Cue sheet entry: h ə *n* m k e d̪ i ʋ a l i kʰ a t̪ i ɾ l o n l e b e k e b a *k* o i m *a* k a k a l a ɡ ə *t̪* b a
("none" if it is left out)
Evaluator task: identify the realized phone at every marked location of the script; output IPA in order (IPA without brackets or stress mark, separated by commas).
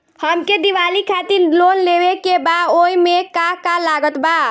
none, none, e, t̪